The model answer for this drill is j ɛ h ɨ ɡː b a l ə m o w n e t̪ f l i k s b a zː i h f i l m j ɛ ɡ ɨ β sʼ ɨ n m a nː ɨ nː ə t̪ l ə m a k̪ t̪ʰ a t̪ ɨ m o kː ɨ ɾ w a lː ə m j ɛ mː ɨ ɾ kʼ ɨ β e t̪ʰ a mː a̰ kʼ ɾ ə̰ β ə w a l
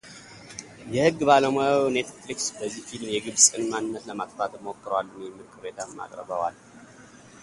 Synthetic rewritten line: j ɛ h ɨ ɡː b a l ə m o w n e t̪ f l i k s b ə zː i h f i l m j ɛ ɡ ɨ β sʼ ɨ n m a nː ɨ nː ə t̪ l ə m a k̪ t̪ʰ a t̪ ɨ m o kː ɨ ɾ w a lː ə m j ɛ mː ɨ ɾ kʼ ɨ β e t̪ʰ a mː a̰ kʼ ɾ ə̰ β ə w a l

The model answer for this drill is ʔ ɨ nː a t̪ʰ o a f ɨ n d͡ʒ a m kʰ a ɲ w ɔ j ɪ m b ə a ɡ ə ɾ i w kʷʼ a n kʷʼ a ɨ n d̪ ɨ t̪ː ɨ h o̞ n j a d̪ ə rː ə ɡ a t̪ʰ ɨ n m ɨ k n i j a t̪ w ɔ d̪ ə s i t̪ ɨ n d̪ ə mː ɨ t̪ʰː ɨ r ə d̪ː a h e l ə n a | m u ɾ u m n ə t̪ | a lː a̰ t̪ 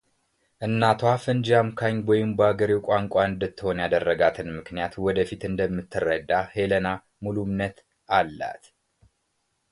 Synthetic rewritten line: ʔ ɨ nː a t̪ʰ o a f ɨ n d͡ʒ a m kʰ a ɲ w ɔ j ɪ m b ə a ɡ ə ɾ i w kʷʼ a ŋ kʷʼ a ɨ n d̪ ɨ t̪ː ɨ h o̞ n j a d̪ ə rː ə ɡ a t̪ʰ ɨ n m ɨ k n i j a t̪ w ɔ d̪ ə f i t̪ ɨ n d̪ ə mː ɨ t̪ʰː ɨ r ə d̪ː a h e l ə n a | m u l u m n ə t̪ | a lː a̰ t̪

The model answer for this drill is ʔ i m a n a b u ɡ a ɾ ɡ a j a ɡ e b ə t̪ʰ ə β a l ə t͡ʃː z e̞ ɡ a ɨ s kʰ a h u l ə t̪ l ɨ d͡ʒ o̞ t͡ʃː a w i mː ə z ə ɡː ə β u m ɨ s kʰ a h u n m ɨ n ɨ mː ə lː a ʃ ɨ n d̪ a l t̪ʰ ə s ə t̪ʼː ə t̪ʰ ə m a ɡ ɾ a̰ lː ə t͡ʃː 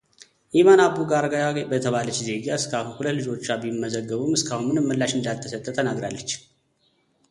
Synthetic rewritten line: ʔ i m a n a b u ɡ a ɾ ɡ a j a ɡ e b ə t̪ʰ ə β a l ə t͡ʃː z e̞ ɡ a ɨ s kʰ a h u l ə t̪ l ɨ d͡ʒ o̞ t͡ʃː a b i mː ə z ə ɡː ə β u m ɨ s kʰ a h u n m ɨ n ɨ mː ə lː a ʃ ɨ n d̪ a l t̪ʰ ə s ə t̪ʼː ə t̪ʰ ə n a ɡ ɾ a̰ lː ə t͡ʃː

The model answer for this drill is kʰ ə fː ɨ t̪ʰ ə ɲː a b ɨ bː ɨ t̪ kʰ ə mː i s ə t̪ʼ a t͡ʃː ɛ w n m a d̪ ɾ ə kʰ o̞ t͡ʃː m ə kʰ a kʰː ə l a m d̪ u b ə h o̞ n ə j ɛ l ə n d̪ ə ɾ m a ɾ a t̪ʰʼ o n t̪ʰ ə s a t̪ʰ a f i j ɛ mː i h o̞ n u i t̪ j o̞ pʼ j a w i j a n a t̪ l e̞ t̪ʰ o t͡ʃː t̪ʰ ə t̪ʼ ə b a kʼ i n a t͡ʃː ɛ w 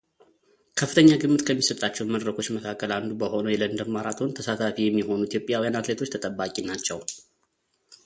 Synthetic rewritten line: kʰ ə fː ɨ t̪ʰ ə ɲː a ɡ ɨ mː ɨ t̪ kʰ ə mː i s ə t̪ʼ a t͡ʃː ɛ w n m ə d̪ ɾ ə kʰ o̞ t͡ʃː m ə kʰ a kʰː ə l a n d̪ u b ə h o̞ n ə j ɛ l ə n d̪ ə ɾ m a ɾ a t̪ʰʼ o n t̪ʰ ə s a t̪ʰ a f i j ɛ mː i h o̞ n u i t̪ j o̞ pʼ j a w i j a n a t̪ l e̞ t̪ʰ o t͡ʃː t̪ʰ ə t̪ʼ ə b a kʼ i n a t͡ʃː ɛ w

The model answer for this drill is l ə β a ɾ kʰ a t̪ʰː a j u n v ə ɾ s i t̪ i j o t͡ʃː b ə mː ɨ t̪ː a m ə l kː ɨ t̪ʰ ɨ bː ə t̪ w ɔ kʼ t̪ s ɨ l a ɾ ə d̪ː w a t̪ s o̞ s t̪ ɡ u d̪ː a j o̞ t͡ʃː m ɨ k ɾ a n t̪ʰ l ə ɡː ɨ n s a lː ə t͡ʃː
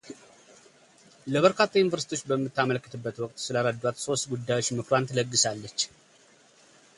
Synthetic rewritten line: l ə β ə ɾ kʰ a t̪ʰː a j u n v ə ɾ s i t̪ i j o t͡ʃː b ə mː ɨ t̪ː a m ə l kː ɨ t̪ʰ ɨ bː ə t̪ w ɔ kʼ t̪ s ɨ l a ɾ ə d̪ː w a t̪ s o̞ s t̪ ɡ u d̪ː a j o̞ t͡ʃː m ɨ k ɾ a n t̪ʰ l ə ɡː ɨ s a lː ə t͡ʃː

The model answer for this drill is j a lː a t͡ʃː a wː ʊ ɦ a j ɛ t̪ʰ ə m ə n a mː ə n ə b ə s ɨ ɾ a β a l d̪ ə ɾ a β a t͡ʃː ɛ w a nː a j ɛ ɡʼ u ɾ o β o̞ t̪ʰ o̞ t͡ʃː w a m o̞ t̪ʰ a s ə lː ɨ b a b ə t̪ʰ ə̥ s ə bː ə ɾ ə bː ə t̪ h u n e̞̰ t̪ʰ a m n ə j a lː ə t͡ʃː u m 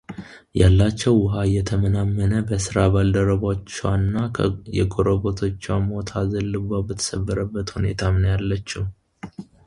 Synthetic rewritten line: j a lː a t͡ʃː ɛ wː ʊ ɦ a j ɛ t̪ʰ ə m ə n a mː ə n ə b ə s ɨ ɾ a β a l d̪ ə ɾ ə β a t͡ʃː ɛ w a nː a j ɛ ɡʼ o ɾ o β o̞ t̪ʰ o̞ t͡ʃː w a m o̞ t̪ʰ a z ə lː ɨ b a b ə t̪ʰ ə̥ s ə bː ə ɾ ə bː ə t̪ h u n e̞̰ t̪ʰ a m n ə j a lː ə t͡ʃː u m

